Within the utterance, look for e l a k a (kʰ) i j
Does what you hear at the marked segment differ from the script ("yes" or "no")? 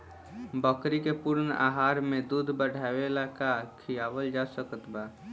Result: no